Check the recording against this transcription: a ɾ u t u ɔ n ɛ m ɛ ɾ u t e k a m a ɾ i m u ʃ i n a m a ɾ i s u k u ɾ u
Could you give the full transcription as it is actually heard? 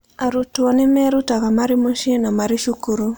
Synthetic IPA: a ɾ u t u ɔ n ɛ m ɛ ɾ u t a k a m a ɾ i m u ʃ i n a m a ɾ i ʃ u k u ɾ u